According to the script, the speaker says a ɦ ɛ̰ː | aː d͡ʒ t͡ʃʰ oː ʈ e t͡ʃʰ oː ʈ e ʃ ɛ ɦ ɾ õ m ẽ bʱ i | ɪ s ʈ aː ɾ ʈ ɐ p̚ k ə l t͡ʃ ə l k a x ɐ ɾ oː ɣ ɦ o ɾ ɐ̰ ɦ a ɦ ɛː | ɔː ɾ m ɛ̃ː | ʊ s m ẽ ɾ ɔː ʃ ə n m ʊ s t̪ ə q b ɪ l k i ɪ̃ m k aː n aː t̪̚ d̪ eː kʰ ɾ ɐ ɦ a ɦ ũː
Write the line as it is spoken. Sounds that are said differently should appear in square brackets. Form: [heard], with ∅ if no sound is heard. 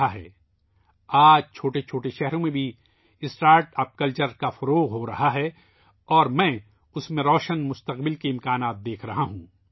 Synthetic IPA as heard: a ɦ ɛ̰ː | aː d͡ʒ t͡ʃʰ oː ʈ e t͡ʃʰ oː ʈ e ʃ ɛ ɦ ɾ õ m ẽ bʱ i | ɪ s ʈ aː ɾ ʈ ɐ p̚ k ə l t͡ʃ ə [ɾ] k a [f] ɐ ɾ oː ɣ ɦ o ɾ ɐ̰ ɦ a ɦ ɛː | ɔː ɾ m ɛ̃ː | ʊ s m ẽ ɾ ɔː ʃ ə n m ʊ s t̪ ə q b ɪ l k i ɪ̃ m k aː n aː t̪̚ d̪ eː kʰ ɾ ɐ ɦ a ɦ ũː